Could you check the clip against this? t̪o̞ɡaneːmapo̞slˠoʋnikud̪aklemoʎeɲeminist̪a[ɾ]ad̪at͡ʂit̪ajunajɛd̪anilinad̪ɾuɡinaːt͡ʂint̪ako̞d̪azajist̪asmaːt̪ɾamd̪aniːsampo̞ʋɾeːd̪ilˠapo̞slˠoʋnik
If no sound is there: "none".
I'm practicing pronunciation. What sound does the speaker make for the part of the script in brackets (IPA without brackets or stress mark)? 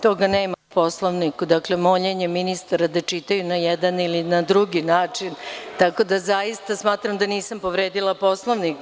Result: ɾ